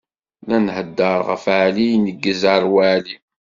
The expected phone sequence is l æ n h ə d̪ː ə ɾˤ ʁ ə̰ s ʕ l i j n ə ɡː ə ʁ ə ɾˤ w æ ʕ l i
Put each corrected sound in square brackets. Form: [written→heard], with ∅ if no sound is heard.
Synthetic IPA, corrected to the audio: l æ n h ə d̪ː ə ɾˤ ʁ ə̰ [s→f] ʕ l i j n ə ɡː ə [ʁ→z] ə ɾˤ w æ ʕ l i